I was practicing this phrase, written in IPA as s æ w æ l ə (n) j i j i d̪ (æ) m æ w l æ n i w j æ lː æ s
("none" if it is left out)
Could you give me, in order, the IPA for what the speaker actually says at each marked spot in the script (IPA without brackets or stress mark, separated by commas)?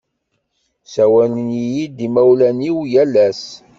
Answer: n, i